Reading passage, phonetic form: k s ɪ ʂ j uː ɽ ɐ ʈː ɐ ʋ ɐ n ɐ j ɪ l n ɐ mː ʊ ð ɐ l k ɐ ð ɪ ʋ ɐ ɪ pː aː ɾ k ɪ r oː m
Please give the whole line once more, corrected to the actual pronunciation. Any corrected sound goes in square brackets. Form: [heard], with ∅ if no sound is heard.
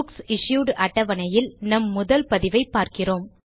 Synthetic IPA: k s ɪ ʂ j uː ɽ ɐ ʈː ɐ ʋ ɐ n ɐ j ɪ l n ɐ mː ʊ ð ɐ l [p] ɐ ð ɪ ʋ ɐ ɪ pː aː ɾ k ɪ r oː m